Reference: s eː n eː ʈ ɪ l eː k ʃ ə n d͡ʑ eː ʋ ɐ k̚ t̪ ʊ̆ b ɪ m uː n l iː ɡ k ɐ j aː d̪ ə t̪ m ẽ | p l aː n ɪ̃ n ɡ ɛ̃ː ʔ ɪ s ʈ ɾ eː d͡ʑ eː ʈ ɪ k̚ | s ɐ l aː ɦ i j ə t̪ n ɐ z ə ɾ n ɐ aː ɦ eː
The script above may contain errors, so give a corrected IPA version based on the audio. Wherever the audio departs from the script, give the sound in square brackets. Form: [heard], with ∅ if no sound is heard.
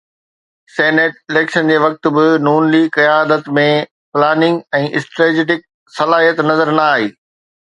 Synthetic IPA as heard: s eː n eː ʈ ɪ l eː k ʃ ə n d͡ʑ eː ʋ ɐ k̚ t̪ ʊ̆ b ɪ [n] uː n l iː ɡ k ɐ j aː d̪ ə t̪ m ẽ | p l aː n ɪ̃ [ŋ] ɡ ɛ̃ː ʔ ɪ s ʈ ɾ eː d͡ʑ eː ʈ ɪ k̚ | s ɐ l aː ɦ i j ə t̪ n ɐ z ə ɾ n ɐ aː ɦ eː